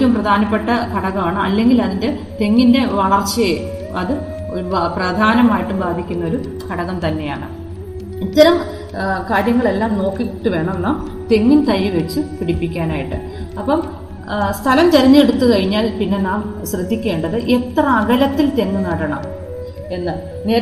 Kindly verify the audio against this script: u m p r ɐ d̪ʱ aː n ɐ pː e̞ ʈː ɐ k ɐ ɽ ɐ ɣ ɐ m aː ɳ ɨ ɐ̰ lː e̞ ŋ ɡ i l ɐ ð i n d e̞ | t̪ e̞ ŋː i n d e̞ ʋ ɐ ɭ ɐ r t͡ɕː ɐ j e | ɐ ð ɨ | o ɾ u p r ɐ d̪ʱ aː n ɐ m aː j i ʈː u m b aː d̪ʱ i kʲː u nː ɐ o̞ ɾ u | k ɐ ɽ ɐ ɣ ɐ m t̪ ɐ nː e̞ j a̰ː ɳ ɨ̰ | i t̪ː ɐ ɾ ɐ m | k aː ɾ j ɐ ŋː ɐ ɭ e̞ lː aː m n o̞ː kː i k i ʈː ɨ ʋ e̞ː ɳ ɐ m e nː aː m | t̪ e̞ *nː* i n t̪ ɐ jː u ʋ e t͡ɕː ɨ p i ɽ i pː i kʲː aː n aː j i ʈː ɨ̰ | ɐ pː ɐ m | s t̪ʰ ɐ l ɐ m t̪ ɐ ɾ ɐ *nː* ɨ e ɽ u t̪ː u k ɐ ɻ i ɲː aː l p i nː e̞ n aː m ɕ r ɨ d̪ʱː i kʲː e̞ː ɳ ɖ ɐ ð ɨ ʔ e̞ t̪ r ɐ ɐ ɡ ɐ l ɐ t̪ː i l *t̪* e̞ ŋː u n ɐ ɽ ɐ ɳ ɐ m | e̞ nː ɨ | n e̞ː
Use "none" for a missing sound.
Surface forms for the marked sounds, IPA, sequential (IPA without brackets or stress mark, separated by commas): ŋː, ɲː, t̪